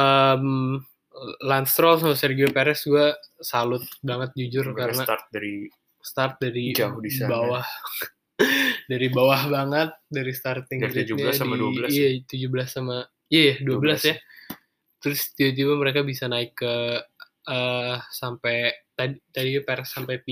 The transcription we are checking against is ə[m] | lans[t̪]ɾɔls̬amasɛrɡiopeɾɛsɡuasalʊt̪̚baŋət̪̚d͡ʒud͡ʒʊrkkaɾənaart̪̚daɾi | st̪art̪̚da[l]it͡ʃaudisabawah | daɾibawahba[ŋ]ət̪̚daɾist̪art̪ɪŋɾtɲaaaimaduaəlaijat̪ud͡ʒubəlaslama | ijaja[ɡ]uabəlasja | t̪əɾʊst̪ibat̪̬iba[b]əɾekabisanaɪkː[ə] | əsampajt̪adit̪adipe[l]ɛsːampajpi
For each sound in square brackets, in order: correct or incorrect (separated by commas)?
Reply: correct, correct, incorrect, correct, incorrect, incorrect, correct, incorrect